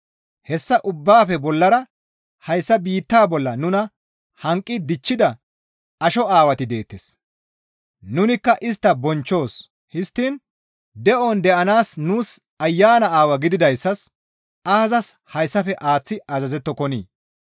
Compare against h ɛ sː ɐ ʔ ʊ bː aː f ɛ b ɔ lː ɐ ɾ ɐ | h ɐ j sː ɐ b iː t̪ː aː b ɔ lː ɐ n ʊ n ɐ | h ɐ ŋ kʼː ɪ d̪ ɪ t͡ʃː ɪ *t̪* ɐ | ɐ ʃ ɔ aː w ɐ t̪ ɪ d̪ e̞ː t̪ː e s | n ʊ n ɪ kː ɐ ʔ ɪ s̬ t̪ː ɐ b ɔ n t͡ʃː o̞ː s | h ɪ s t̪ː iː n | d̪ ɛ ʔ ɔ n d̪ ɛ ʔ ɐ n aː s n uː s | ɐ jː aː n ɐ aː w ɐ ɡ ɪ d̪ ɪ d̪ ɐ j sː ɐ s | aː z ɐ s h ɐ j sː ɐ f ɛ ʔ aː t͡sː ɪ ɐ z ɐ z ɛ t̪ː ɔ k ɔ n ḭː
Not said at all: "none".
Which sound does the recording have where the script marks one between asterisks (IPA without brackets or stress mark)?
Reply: d̪